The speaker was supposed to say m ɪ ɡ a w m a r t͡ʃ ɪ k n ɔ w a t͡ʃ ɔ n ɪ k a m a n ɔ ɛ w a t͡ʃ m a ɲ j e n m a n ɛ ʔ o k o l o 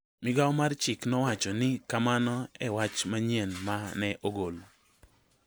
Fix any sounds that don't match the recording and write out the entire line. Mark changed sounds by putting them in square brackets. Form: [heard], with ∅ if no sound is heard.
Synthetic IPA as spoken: m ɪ ɡ a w m a r t͡ʃ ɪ k n ɔ w a t͡ʃ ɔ n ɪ k a m a n ɔ ɛ w a t͡ʃ m a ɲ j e n m a n ɛ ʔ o [ɡ] o l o